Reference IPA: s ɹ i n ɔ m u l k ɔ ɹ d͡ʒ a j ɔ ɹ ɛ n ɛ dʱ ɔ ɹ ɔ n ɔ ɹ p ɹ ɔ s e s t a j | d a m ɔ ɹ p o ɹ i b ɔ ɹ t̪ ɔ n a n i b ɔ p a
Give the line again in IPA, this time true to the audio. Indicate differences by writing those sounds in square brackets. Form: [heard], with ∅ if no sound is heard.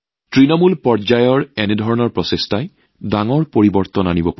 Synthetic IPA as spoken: [t] ɹ i n ɔ m u l [p] ɔ ɹ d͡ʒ a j ɔ ɹ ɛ n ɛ dʱ ɔ ɹ ɔ n ɔ ɹ p ɹ ɔ s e s t a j | d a [ŋ] ɔ ɹ p o ɹ i b ɔ ɹ t̪ ɔ n a n i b ɔ p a